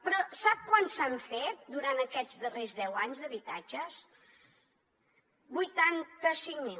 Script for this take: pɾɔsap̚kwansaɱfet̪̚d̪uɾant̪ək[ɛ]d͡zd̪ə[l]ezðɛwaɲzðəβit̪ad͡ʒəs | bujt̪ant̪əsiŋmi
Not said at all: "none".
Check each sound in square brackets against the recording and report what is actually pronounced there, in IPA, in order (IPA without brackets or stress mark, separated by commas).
ɛ, r